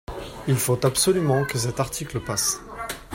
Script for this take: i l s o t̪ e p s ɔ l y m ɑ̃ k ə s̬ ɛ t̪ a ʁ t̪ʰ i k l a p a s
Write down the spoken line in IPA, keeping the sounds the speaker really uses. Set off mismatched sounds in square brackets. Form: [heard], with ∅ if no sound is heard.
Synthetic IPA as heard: i l [f] o t̪ [a] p s ɔ l y m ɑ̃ k ə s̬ ɛ t̪ a ʁ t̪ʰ i k l [ə] p a s